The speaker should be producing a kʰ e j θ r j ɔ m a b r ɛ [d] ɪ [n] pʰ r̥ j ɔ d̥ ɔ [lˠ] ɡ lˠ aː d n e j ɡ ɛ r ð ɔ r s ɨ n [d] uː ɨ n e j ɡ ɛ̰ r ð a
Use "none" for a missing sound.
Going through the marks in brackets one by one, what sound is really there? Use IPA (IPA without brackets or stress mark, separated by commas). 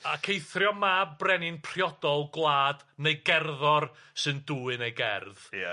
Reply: n, n, lˠ, d